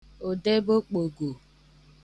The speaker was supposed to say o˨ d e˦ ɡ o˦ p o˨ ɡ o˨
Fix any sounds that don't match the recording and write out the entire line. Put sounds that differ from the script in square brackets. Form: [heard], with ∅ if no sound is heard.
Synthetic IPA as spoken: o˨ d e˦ [b] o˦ [k͡p] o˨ ɡ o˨

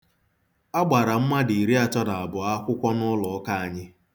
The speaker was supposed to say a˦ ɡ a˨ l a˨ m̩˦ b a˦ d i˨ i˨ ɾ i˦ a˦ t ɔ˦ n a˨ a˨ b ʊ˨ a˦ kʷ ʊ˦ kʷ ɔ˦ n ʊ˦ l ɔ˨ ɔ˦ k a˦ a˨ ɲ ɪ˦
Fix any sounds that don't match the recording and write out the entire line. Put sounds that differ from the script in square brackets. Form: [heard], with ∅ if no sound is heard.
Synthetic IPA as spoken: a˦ [ɡ͡b] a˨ [ɾ] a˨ m̩˦ [m] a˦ d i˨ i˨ ɾ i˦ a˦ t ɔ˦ n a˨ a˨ b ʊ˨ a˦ kʷ ʊ˦ kʷ ɔ˦ n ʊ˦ l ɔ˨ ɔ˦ k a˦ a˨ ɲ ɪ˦

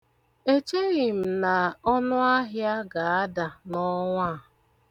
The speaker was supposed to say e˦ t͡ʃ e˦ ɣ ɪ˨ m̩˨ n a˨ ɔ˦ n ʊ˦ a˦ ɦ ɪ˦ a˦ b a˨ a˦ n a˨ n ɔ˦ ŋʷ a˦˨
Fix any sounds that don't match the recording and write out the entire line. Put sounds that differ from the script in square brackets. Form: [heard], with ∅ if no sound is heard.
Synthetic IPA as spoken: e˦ t͡ʃ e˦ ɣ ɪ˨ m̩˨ n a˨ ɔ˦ n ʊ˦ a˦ ɦ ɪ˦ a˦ [ɡ] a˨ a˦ [d] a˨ n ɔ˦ ŋʷ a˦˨

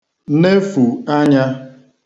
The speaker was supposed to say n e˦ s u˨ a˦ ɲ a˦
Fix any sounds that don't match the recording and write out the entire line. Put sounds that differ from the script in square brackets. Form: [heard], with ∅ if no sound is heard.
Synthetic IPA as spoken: n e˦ [f] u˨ a˦ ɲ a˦

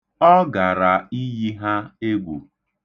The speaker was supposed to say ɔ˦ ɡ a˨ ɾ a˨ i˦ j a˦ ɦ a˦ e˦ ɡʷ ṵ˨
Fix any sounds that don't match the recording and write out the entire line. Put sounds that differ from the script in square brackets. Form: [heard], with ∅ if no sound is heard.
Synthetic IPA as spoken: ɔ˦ ɡ a˨ ɾ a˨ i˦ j [i˦] ɦ a˦ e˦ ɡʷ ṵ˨

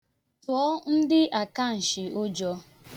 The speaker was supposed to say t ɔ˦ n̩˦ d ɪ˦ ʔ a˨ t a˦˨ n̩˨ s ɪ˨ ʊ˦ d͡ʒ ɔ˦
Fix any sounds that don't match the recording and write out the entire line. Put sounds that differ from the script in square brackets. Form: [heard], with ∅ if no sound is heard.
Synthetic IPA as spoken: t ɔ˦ n̩˦ d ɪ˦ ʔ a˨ [k] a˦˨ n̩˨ [ʃ] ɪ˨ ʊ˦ d͡ʒ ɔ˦

